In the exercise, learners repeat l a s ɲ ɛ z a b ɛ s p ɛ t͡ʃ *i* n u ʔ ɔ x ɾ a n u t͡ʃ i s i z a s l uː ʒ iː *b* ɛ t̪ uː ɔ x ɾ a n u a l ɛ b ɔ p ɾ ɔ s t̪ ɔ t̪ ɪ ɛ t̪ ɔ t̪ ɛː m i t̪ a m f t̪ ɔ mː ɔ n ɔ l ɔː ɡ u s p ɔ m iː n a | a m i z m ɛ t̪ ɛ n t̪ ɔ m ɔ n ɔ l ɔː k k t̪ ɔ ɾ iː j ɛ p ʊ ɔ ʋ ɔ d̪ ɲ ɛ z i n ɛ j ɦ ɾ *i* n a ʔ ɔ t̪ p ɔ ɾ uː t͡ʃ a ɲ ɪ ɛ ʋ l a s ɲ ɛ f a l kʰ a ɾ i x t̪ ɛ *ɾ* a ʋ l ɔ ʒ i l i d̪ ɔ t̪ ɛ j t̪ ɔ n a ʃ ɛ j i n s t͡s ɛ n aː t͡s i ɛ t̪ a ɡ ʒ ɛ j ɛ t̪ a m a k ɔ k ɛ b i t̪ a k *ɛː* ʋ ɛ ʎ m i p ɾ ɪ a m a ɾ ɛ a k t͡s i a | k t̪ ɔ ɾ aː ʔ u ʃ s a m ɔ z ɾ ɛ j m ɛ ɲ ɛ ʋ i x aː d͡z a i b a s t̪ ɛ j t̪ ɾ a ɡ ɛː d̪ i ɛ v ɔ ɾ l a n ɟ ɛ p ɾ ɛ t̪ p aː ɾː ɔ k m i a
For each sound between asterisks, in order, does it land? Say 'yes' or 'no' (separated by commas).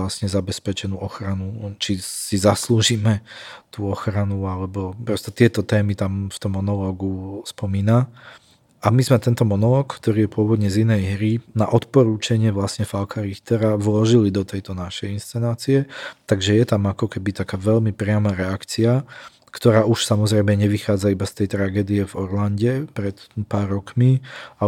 no, no, yes, yes, no